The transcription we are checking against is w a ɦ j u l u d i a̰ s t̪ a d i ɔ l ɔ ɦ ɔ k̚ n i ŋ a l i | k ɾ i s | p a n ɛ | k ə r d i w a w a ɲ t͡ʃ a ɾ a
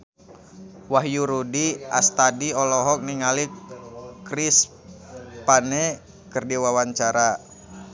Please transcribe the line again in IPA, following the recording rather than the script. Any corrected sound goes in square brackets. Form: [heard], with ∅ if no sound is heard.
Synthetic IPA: w a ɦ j u [ɾ] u d i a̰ s t̪ a d i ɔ l ɔ ɦ ɔ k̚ n i ŋ a l i | k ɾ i s | p a n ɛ | k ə r d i w a w a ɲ t͡ʃ a ɾ a